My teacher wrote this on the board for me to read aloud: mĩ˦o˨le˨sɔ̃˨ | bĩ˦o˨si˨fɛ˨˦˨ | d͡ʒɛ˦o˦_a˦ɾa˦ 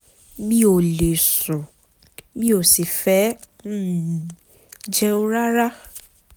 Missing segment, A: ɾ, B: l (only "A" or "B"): A